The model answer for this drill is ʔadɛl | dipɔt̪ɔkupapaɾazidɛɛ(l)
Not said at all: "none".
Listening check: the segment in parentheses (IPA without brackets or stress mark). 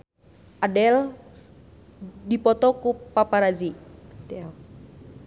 l